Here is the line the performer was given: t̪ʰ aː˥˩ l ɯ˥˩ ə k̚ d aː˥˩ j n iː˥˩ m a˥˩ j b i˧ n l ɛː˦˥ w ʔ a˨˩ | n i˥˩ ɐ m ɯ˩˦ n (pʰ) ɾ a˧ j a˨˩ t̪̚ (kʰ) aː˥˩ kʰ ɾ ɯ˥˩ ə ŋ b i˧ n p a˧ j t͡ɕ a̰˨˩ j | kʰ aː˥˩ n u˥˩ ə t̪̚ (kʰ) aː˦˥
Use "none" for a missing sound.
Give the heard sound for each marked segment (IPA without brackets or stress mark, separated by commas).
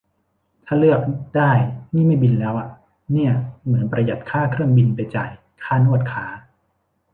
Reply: p, kʰ, kʰ